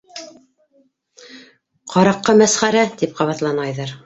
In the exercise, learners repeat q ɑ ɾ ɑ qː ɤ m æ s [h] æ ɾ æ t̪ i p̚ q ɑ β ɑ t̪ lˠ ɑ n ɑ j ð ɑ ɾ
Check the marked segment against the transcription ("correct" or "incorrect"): incorrect